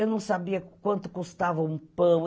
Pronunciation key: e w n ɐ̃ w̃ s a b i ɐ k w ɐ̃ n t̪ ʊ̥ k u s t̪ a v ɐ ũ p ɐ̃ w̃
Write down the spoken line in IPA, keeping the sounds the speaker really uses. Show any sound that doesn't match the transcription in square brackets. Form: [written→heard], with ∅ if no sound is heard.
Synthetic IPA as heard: e w n ɐ̃ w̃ s a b i ɐ k w ɐ̃ n t̪ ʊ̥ k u s t̪ a v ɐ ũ p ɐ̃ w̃

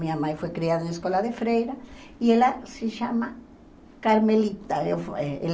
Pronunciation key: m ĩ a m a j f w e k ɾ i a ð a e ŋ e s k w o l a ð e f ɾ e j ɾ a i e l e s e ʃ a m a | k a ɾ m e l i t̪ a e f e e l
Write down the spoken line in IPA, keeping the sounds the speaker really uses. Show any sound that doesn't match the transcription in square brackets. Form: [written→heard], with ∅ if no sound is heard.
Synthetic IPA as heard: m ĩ a m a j f w e k ɾ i a ð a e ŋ e s k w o l a ð e f ɾ e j ɾ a i e l [e→a] s e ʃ a m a | k a ɾ m e l i t̪ a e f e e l

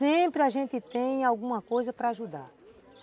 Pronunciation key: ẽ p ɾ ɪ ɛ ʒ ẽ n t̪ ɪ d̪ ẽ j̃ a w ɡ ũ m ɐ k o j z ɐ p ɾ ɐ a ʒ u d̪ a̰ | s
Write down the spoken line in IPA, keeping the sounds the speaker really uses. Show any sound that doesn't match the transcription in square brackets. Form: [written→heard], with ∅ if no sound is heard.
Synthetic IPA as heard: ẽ p ɾ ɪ [ɛ→a] ʒ ẽ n t̪ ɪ [d̪→t̪] ẽ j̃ a w ɡ ũ m ɐ k o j z ɐ p ɾ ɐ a ʒ u d̪ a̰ | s

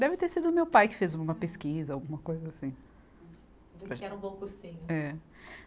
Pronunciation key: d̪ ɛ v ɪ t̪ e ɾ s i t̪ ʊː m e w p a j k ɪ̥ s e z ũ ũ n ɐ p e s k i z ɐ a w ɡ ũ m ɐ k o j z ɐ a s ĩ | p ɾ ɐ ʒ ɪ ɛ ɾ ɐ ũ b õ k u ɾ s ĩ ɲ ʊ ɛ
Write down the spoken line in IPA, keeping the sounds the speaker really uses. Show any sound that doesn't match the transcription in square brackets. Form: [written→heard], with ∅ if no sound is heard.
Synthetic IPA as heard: d̪ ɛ v ɪ t̪ e ɾ s i [t̪→d̪] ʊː m e w p a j k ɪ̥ [s→f] e z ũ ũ [n→m] ɐ p e s k i z ɐ a w ɡ ũ m ɐ k o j z ɐ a s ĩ | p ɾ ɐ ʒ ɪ ɛ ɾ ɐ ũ b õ k u ɾ s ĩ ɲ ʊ ɛ

